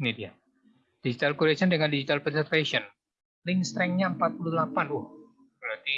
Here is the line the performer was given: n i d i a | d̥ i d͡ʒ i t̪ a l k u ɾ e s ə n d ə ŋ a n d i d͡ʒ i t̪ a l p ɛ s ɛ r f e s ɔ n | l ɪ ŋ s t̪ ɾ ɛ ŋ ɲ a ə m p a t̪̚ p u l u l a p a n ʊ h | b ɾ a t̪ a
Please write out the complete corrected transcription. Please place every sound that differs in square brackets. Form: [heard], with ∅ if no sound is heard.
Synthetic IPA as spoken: n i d i a | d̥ i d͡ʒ i t̪ a l k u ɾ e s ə n d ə ŋ a n d i d͡ʒ i t̪ a l p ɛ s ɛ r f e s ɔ n | l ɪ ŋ s t̪ ɾ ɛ ŋ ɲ a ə m p a t̪̚ p u l u l a p a n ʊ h | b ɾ a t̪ [i]